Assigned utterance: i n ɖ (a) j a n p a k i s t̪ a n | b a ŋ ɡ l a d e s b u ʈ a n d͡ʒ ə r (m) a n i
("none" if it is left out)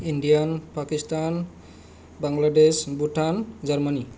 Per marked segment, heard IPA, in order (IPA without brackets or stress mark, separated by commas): i, m